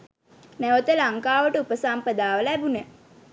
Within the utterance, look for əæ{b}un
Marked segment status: correct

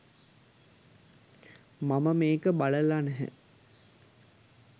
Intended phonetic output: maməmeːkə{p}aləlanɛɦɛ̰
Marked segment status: incorrect: b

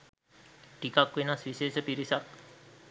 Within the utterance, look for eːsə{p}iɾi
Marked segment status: correct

